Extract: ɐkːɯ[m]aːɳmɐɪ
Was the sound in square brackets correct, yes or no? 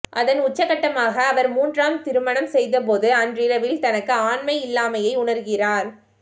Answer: no